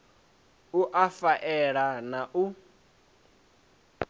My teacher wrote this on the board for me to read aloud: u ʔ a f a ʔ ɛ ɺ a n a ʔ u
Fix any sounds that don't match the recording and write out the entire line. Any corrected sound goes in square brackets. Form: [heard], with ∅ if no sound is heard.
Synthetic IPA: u ʔ a f a ʔ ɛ ɺ a n a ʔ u